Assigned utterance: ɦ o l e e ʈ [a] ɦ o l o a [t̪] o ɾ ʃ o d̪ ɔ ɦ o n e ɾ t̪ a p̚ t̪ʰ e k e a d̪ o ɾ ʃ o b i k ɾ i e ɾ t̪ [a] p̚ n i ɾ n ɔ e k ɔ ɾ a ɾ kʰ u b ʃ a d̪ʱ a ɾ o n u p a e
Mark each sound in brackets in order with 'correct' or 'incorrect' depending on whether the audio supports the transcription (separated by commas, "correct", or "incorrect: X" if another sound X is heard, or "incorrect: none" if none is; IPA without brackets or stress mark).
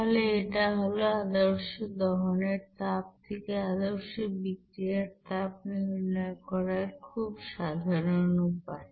correct, incorrect: d̪, correct